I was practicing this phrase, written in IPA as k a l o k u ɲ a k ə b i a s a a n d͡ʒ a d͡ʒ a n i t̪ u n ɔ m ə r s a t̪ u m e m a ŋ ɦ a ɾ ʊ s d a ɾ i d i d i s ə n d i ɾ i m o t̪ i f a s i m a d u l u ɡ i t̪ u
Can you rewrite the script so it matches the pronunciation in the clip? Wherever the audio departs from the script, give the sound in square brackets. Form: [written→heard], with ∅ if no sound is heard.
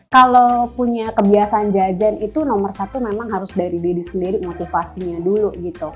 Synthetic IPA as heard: k a l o [k→p] u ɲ a k ə b i a s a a n d͡ʒ a d͡ʒ a n i t̪ u n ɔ m ə r s a t̪ u m e m a ŋ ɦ a ɾ ʊ s d a ɾ i d i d i s ə n d i ɾ i m o t̪ i f a s i [m→ɲ] a d u l u ɡ i t̪ u